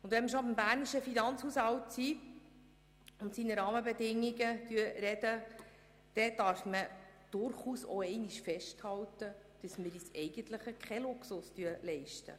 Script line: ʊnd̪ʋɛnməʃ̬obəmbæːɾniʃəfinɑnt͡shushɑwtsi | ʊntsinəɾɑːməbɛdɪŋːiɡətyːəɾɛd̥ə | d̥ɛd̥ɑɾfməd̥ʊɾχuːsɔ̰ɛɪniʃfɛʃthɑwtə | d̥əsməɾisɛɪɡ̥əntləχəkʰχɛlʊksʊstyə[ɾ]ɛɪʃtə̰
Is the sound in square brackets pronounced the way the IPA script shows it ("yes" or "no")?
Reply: no